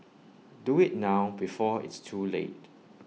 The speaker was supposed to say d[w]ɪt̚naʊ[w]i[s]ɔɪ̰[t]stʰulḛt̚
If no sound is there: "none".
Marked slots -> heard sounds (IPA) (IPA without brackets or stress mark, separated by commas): u, b, f, t